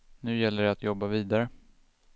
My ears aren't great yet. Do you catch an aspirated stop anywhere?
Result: no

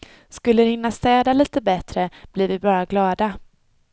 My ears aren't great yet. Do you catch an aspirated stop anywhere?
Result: no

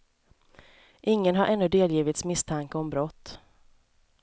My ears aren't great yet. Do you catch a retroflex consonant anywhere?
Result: no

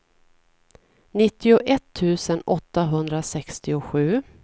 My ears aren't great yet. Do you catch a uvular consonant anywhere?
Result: no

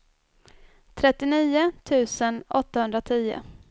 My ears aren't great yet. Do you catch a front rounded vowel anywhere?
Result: no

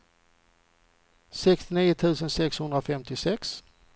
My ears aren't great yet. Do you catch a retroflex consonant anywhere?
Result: no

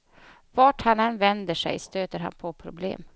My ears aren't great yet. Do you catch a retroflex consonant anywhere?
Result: yes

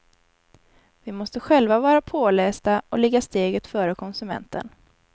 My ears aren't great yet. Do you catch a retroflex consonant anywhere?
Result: no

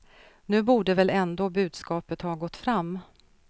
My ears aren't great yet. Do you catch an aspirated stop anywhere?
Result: no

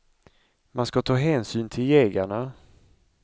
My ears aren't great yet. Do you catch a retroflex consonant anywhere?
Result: yes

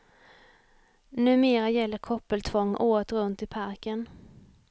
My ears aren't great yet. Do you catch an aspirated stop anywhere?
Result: yes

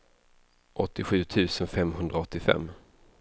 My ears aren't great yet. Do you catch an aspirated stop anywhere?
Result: yes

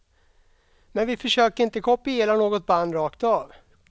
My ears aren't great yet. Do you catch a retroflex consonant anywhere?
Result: yes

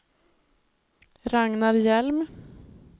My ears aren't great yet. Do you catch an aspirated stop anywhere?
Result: no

